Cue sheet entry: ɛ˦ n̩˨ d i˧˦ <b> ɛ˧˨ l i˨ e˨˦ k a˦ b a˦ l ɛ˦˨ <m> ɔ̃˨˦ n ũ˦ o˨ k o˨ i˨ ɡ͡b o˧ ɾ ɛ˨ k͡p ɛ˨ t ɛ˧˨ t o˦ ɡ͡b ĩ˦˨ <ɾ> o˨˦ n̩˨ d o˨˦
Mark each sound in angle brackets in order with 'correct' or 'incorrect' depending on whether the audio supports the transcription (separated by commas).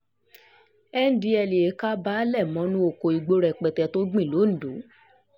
incorrect, correct, incorrect